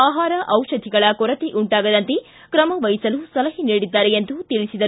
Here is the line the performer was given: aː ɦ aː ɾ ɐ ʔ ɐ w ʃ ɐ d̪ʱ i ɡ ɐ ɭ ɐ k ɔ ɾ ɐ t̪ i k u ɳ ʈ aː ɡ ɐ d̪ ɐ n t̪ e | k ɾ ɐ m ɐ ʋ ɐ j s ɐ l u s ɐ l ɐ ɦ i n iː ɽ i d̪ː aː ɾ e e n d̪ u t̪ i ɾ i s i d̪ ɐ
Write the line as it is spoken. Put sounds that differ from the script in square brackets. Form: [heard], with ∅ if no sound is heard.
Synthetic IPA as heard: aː ɦ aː ɾ ɐ ʔ ɐ w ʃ ɐ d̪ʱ i ɡ ɐ ɭ ɐ k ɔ ɾ ɐ t̪ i [ʔ] u ɳ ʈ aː ɡ ɐ d̪ ɐ n t̪ e | k ɾ ɐ m ɐ ʋ ɐ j s ɐ l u s ɐ l ɐ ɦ i n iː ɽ i d̪ː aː ɾ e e n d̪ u t̪ i [ɭ] i s i d̪ ɐ